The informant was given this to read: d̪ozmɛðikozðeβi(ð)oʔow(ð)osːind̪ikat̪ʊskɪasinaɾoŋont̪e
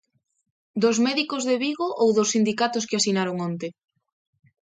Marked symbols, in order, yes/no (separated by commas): no, yes